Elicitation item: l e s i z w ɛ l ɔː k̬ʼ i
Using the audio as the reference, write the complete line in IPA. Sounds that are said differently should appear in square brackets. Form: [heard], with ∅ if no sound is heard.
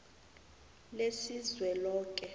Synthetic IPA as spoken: l e s i z w ɛ l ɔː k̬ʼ [ɛ]